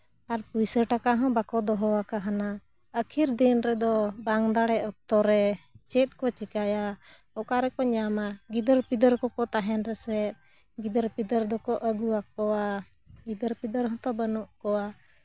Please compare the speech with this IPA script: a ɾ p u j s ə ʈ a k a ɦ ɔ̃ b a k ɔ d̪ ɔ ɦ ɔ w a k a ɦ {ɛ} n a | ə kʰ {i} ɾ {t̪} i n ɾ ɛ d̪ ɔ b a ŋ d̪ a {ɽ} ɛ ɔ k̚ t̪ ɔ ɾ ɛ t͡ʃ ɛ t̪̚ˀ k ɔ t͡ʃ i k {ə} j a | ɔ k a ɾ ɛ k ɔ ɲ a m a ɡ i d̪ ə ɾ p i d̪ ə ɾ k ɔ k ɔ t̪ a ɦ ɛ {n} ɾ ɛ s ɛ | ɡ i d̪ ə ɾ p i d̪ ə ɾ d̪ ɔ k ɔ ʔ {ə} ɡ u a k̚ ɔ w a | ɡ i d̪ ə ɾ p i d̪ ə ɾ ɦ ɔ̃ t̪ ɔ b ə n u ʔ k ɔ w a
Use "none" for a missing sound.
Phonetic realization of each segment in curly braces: a, i, d̪, ɽ, a, n, ə

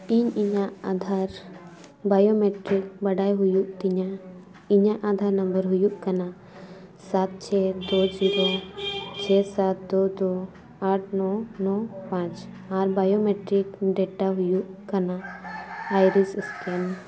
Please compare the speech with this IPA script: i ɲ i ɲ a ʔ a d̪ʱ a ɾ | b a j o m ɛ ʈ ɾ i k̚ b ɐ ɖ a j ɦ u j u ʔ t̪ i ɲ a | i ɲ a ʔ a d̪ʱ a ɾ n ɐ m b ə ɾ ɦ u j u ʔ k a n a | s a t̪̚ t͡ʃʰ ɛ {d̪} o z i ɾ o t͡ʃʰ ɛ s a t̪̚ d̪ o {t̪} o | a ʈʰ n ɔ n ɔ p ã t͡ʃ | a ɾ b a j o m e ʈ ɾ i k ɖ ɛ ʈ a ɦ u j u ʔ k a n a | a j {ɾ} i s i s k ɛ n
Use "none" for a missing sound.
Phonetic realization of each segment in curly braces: d̪, d̪, ɾ

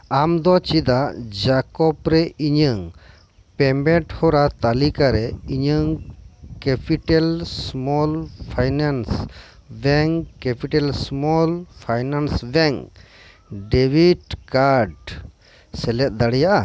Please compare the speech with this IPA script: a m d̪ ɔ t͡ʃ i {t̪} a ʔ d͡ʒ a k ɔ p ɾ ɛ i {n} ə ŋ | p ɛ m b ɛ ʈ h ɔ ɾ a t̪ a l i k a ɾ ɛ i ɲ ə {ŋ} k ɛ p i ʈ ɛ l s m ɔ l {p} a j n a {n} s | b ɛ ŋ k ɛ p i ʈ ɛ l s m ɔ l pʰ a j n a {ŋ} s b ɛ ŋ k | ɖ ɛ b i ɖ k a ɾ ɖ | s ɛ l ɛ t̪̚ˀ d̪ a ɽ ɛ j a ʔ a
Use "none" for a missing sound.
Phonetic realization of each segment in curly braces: d̪, ɲ, ŋ, pʰ, n, n

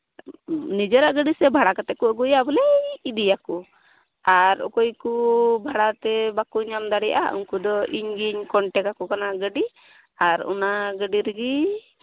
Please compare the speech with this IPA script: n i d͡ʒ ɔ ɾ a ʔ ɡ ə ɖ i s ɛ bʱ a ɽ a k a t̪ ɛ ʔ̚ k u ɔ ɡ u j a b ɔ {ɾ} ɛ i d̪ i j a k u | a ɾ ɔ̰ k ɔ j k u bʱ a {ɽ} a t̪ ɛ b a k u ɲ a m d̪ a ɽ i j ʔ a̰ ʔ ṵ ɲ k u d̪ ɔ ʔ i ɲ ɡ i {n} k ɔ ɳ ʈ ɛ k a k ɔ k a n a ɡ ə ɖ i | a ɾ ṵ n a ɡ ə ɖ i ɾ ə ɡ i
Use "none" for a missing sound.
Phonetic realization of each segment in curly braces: l, ɽ, ɲ

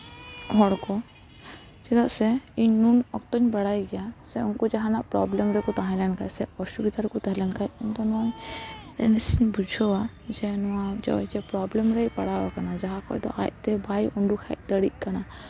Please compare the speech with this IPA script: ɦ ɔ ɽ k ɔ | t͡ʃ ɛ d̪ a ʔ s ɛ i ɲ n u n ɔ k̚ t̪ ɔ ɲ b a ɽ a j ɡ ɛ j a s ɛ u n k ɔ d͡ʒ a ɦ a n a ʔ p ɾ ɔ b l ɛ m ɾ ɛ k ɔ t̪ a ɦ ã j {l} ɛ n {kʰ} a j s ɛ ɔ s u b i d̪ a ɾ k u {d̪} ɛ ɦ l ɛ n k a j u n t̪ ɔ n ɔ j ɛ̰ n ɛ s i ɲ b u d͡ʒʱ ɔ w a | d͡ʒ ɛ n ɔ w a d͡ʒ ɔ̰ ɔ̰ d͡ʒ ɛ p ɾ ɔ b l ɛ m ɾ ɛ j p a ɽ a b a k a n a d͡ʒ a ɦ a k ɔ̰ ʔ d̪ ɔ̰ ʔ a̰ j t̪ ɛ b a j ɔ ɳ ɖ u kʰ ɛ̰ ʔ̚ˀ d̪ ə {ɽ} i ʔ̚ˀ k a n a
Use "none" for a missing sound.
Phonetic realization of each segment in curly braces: l, k, t̪, ɽ

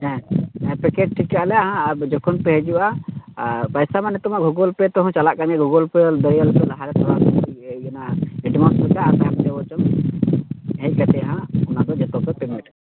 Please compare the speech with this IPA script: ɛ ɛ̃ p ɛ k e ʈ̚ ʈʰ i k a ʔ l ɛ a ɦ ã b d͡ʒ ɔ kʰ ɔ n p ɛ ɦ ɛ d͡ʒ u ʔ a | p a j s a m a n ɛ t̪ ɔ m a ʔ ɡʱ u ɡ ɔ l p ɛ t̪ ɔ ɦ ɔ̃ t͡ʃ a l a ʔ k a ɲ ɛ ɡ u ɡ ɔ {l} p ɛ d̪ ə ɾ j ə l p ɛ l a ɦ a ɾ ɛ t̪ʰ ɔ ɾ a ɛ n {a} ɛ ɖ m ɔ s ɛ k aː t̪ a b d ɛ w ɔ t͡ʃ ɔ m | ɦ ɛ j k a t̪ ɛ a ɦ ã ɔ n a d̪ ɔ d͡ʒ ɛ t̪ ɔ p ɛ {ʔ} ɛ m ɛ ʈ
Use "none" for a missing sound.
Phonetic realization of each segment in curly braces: l, a, p

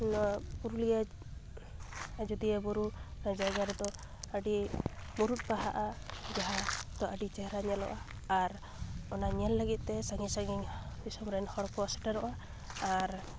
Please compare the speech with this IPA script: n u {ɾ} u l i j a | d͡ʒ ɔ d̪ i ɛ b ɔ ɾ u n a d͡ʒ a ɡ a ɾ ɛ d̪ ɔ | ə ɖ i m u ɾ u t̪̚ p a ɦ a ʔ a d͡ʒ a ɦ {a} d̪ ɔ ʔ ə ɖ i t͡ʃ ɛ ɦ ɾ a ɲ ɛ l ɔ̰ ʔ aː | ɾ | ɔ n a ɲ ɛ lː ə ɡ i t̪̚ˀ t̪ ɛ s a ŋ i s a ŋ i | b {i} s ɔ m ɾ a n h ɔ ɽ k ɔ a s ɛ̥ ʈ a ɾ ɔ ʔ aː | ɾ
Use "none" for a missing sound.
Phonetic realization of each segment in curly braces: ɾ, a, i

